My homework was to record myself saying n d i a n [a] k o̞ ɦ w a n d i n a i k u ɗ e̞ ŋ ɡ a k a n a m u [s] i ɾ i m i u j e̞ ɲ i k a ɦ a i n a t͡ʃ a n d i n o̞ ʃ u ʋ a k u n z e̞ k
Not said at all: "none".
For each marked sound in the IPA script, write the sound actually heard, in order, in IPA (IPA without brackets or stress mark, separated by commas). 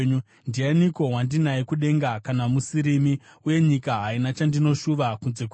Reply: i, s